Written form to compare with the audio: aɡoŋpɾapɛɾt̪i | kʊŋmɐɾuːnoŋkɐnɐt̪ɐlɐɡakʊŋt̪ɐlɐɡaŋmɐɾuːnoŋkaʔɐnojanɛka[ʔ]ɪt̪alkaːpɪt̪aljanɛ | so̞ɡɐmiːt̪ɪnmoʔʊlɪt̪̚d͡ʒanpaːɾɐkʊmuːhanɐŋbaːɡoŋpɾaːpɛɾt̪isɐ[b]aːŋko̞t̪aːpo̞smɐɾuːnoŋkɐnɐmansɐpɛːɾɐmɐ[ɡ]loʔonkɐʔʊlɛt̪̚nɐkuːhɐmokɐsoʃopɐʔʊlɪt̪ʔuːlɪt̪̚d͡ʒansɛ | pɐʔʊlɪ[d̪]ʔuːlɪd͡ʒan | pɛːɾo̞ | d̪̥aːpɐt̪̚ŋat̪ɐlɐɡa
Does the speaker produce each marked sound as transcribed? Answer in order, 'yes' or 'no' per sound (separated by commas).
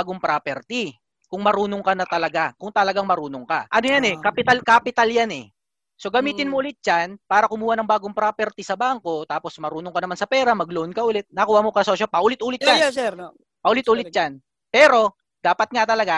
no, yes, yes, no